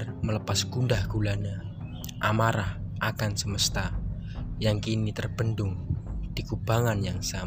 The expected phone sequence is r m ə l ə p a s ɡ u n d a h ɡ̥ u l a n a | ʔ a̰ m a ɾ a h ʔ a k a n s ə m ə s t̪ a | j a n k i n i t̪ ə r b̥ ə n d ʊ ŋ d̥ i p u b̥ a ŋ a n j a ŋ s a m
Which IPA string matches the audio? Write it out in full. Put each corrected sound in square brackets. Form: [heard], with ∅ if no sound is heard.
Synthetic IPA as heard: r m ə l ə p a s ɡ u n d a h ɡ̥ u l a n a | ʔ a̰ m a ɾ a h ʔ a k a n s ə m ə s t̪ a | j a [ŋ] k i n i t̪ ə r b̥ ə n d ʊ ŋ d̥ i [k] u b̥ a ŋ a n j a ŋ s a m